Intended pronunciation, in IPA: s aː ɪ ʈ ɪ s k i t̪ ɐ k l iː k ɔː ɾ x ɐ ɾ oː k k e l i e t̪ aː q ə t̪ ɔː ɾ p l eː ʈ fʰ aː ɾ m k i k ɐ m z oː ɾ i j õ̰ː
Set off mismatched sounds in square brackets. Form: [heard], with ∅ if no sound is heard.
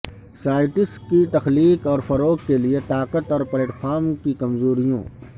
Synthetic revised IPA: s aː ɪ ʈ ɪ s k i t̪ ɐ [x] l iː k ɔː ɾ [f] ɐ ɾ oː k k e l i e t̪ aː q ə t̪ ɔː ɾ p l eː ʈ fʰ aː ɾ m k i k ɐ m z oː ɾ i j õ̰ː